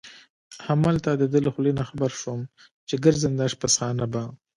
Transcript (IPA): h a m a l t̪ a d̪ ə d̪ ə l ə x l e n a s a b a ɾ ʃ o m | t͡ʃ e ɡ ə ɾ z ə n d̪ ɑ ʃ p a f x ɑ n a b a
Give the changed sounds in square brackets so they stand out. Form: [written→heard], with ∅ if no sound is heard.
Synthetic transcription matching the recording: h a m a l t̪ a d̪ ə d̪ ə l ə x l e n a [s→x] a b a ɾ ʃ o m | t͡ʃ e ɡ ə ɾ z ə n d̪ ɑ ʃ p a [f→s] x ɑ n a b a